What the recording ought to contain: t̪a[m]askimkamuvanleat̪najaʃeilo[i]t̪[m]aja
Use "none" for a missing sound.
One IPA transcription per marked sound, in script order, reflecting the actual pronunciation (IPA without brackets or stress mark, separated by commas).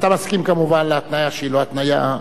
m, a, n